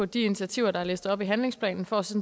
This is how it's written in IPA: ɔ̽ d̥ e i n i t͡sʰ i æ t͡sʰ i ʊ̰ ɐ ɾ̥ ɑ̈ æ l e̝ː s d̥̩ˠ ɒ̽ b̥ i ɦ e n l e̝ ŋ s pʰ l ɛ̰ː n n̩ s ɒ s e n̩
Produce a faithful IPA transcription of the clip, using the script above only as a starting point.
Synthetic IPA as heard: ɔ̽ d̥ i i n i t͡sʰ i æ t͡sʰ i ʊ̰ ɐ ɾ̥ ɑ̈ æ l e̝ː s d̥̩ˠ ɒ̽ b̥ i ɦ æ n l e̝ ŋ s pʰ l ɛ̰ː n n̩ f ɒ s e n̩